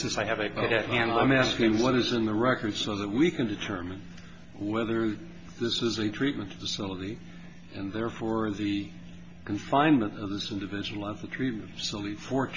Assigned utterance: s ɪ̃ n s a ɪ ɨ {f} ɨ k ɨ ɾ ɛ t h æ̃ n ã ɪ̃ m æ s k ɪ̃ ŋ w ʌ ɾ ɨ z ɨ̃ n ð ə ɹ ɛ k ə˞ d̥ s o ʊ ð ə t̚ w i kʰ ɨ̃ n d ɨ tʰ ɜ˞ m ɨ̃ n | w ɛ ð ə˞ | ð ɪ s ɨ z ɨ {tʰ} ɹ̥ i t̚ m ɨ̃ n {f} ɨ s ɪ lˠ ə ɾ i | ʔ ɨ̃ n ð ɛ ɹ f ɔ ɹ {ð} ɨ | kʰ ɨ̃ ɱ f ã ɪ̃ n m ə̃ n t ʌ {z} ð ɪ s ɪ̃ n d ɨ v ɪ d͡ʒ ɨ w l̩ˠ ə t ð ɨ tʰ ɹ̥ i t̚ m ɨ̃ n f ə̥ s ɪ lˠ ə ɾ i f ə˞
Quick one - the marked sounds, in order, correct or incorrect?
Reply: incorrect, correct, correct, correct, incorrect

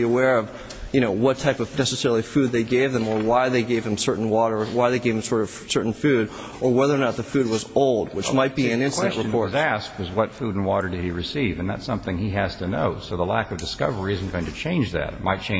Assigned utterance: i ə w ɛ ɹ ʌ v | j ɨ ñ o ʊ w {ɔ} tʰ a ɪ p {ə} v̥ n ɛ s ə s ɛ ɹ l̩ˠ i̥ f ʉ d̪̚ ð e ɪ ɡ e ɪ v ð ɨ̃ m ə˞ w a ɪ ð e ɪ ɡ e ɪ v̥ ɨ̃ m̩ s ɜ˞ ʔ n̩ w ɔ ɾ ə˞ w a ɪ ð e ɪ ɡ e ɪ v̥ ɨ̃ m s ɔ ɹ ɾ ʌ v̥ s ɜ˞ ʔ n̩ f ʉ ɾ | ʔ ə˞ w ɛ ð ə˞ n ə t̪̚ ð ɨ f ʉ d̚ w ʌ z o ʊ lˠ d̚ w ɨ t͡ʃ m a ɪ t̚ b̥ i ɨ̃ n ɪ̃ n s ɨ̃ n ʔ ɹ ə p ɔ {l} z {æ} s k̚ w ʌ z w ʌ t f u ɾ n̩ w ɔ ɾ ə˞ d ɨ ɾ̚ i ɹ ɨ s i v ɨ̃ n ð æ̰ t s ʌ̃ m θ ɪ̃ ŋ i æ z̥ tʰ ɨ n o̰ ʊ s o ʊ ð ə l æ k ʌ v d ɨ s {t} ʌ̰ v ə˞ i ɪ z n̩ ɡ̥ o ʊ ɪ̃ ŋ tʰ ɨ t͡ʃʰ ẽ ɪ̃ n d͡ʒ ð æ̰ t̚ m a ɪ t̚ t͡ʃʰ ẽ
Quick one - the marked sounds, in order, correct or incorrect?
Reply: incorrect, incorrect, incorrect, correct, incorrect

